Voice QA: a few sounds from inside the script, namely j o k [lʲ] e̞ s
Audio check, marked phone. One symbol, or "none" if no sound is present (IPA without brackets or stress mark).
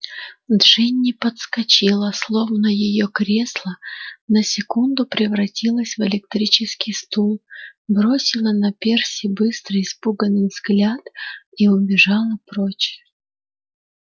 ɾʲ